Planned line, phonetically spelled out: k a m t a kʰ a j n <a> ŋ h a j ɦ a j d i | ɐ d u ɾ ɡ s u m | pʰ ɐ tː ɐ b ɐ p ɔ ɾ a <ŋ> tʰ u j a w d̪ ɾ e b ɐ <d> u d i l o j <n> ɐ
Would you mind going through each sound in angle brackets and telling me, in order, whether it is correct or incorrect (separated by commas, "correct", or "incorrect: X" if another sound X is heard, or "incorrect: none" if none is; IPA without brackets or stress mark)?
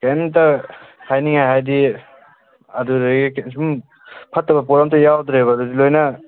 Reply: incorrect: i, incorrect: m, correct, correct